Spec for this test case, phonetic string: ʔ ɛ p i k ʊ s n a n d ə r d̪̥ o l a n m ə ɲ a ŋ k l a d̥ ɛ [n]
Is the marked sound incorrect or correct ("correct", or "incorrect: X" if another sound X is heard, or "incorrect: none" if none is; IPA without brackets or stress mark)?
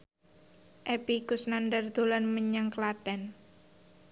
correct